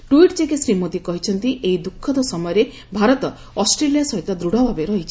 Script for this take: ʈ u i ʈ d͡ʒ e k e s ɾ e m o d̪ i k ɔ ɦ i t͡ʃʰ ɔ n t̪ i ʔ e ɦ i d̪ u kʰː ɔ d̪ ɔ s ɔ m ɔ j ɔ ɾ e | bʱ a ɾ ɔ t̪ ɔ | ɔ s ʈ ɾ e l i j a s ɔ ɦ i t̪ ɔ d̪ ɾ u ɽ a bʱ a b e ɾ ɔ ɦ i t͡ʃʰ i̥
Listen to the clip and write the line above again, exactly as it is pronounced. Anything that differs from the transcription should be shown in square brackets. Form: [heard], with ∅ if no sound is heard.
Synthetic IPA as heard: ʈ u i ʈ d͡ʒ e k e s ɾ [i] m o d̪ i k ɔ ɦ i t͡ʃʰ ɔ n t̪ i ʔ e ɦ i d̪ u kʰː ɔ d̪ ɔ s ɔ m ɔ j ɔ ɾ e | bʱ a ɾ ɔ t̪ ɔ | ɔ s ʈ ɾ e l i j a s ɔ ɦ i t̪ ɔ d̪ ɾ u ɽ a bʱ a b e ɾ ɔ ɦ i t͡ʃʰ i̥